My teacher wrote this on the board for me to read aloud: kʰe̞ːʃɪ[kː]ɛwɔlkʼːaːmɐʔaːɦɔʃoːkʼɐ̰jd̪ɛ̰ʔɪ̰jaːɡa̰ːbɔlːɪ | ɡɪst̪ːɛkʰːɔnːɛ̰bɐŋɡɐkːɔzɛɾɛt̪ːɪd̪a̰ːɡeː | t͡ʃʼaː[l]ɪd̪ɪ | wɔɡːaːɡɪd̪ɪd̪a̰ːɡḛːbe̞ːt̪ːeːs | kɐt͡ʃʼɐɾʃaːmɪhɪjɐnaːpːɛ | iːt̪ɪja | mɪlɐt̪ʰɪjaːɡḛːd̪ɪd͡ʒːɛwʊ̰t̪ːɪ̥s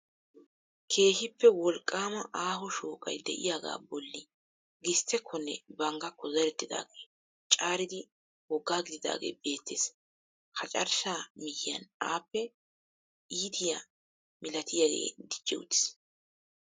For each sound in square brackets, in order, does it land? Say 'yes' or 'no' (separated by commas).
no, no